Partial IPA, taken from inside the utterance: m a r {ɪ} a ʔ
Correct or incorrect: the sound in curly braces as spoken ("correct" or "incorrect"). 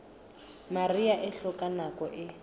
incorrect